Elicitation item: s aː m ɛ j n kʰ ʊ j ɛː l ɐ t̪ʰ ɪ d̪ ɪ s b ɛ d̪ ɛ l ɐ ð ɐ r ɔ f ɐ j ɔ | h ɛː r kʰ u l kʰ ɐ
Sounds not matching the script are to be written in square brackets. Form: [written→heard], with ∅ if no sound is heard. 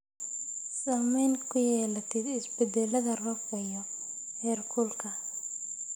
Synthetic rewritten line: s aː m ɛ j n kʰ ʊ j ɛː l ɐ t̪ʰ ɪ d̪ ɪ s b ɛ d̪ ɛ l ɐ ð ɐ r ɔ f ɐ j ɔ | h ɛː r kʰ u l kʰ ɐ